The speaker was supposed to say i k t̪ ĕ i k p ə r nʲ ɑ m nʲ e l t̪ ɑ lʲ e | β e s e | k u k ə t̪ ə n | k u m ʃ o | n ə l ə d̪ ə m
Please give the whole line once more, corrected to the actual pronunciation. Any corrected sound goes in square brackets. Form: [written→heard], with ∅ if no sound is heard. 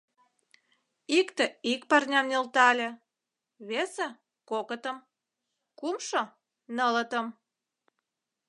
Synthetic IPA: i k t̪ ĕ i k p [ə→ɑ] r nʲ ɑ m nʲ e l t̪ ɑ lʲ e | β e s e | k [u→o] k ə t̪ ə [n→m] | k u m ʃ o | n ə l ə [d̪→t̪] ə m